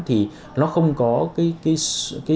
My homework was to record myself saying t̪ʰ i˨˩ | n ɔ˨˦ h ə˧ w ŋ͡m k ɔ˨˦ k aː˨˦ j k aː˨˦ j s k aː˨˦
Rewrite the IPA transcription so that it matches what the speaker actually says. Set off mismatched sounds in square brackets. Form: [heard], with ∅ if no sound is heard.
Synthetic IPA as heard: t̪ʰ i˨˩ | n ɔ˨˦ [x] ə˧ w ŋ͡m k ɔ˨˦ k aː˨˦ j k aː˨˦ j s k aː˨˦